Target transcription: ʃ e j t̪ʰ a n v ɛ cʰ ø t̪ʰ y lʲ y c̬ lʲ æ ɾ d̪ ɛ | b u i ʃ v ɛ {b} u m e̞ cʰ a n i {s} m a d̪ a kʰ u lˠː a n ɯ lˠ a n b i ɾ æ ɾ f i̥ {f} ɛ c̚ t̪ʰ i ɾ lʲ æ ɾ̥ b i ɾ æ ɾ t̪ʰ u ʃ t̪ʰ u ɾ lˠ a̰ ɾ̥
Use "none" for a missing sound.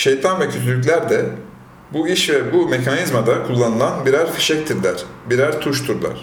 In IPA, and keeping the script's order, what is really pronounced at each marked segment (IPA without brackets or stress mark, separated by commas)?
b, z, ʃ